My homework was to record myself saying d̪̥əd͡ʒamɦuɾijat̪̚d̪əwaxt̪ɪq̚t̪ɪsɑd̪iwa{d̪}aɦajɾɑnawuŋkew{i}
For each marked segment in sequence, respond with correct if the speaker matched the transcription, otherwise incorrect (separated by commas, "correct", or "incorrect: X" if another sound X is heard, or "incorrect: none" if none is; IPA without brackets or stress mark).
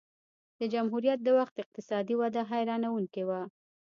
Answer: correct, incorrect: a